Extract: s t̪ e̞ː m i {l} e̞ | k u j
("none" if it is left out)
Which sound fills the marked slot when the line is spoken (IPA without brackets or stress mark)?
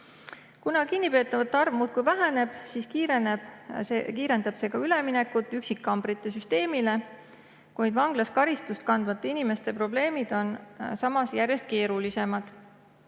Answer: l